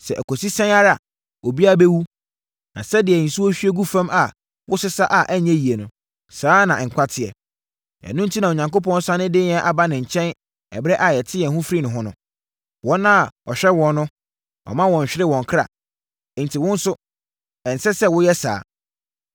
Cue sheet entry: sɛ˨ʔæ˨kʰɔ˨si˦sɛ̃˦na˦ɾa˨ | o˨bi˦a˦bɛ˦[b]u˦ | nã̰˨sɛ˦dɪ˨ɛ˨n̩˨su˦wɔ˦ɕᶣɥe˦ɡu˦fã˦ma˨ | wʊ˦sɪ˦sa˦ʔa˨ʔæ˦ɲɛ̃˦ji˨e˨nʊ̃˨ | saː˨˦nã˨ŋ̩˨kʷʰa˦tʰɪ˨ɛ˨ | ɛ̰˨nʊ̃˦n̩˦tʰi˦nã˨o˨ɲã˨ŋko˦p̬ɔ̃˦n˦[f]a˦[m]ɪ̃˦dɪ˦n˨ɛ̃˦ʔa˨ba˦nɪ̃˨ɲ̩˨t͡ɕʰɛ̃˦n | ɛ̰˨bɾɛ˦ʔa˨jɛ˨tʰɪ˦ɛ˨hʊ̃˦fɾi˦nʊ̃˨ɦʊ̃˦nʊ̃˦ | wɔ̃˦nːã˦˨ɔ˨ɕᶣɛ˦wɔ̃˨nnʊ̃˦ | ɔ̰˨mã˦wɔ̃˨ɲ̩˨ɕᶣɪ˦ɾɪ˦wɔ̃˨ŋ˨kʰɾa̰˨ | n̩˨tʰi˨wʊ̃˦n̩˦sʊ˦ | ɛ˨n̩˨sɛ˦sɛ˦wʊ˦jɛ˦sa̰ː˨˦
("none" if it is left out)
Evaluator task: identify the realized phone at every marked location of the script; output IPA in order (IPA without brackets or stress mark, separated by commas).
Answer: w, s, n